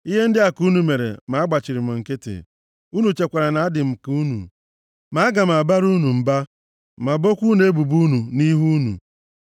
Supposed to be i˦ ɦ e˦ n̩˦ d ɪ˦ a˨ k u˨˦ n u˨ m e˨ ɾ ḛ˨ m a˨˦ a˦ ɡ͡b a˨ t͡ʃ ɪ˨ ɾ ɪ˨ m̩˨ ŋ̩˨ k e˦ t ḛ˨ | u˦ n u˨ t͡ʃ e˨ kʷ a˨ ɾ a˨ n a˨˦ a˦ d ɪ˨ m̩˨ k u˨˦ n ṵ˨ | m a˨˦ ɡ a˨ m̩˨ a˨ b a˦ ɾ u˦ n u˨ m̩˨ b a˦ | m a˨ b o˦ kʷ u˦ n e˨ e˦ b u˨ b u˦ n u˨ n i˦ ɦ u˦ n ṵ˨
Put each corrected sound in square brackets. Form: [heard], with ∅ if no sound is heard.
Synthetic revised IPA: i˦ ɦ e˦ n̩˦ d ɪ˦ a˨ k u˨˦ n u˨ m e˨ ɾ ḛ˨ m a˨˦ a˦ ɡ͡b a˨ t͡ʃ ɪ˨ ɾ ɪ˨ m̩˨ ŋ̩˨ k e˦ t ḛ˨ | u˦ n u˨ t͡ʃ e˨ kʷ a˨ ɾ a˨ n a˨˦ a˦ d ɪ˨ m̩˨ k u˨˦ n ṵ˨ | m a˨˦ ɡ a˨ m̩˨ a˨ b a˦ ɾ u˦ n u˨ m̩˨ b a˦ | m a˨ b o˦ kʷ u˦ n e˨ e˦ b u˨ b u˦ n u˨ n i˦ ɦ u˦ n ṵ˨